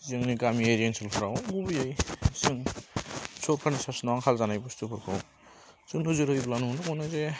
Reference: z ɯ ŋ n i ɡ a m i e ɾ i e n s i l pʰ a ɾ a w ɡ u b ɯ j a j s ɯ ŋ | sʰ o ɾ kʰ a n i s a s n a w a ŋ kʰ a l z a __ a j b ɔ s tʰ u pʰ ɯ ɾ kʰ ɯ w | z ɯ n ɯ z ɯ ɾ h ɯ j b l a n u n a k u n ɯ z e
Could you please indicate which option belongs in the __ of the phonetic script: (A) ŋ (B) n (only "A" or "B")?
B